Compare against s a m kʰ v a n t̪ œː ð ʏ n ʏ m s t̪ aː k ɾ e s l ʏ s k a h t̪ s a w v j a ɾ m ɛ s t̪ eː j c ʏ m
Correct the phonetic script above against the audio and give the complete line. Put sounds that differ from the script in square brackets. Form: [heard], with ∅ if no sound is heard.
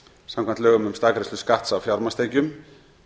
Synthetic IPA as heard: s a m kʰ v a n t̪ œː [ɣ] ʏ [m] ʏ m s t̪ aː k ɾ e s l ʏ s k a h t̪ s a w [f] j a ɾ m [a] s t̪ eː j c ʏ m